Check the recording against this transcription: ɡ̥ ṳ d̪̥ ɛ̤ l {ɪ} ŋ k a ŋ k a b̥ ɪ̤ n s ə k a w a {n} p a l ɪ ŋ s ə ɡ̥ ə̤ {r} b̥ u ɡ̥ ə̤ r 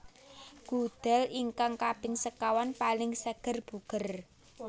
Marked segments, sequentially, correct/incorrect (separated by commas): incorrect, correct, correct